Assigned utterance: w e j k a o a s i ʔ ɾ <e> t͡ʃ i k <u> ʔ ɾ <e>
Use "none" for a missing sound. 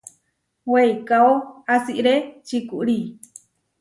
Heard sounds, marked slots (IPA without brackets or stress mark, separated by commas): e, u, i